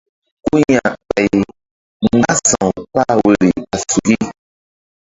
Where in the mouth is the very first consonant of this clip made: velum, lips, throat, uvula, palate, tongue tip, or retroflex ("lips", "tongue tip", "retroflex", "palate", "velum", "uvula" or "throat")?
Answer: velum